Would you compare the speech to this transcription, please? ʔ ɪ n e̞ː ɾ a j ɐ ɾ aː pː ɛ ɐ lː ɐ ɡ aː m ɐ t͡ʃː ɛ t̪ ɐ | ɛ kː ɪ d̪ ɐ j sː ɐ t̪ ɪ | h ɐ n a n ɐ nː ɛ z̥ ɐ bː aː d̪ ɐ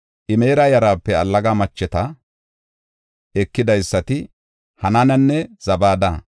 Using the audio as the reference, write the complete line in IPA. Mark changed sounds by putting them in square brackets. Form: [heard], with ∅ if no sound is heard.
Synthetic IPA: ʔ ɪ [m] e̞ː ɾ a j ɐ ɾ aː pː ɛ ɐ lː ɐ ɡ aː m ɐ t͡ʃː ɛ t̪ ɐ | ɛ kː ɪ d̪ ɐ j sː ɐ t̪ ɪ | h ɐ n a n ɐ nː ɛ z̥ ɐ [b] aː d̪ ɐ